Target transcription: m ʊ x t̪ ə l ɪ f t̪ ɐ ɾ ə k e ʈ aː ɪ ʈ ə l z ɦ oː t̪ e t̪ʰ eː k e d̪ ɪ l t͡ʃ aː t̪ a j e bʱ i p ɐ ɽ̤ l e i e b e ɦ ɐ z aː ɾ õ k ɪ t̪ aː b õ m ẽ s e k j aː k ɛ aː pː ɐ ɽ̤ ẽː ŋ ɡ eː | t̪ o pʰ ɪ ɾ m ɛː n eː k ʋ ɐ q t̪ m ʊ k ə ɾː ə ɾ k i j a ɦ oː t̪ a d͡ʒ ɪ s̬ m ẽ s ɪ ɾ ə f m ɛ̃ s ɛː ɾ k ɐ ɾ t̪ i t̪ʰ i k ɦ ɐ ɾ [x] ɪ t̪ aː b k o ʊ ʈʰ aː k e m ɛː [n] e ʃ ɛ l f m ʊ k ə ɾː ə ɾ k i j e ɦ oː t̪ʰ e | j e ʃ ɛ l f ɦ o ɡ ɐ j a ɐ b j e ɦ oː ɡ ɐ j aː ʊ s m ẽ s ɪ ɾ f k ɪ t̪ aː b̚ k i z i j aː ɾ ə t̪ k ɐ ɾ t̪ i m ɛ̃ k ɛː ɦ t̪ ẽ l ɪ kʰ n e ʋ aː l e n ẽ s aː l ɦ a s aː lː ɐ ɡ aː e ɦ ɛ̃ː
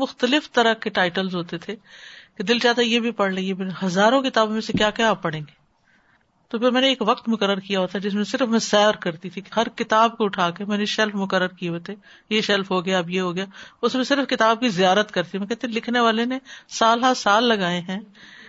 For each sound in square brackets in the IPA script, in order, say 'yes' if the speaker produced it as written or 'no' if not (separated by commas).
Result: no, yes